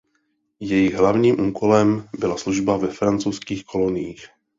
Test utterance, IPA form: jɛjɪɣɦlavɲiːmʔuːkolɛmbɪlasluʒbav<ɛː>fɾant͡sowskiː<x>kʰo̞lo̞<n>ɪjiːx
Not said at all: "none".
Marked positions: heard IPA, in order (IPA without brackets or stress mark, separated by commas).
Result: ɛ, x, n